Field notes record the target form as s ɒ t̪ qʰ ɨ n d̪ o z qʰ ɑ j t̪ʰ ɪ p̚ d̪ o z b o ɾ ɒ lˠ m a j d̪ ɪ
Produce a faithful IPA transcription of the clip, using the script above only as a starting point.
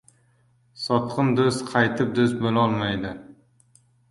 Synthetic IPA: s ɒ t̪ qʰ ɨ n d̪ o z qʰ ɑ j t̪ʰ ɪ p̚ d̪ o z b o l ɒ lˠ m a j d̪ ɪ